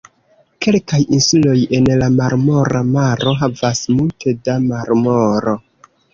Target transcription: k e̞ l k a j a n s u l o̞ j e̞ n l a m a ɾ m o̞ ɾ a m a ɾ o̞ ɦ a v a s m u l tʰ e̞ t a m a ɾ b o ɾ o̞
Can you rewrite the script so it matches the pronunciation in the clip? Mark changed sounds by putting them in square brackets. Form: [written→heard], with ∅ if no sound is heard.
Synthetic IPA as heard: k e̞ l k a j [a→i] n s u l o̞ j e̞ n l a m a ɾ m o̞ ɾ a m a ɾ o̞ ɦ a v a s m u l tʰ e̞ [t→d] a m a ɾ [b→m] o ɾ o̞